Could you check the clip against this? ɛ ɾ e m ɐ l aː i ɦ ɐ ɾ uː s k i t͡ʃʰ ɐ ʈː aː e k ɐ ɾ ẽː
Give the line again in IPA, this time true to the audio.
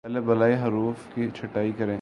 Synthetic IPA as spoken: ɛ l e b ɐ l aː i ɦ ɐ ɾ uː f k i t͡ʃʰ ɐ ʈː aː i k ɐ ɾ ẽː